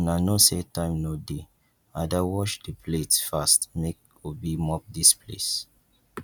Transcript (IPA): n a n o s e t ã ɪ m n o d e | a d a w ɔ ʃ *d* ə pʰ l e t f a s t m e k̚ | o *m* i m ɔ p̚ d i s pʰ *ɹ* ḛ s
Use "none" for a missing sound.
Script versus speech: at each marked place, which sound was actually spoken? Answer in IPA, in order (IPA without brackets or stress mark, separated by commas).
d, b, l